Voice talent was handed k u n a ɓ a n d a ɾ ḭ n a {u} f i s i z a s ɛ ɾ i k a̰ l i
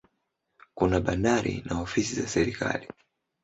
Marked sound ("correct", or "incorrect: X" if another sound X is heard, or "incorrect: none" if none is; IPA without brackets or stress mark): incorrect: ɔ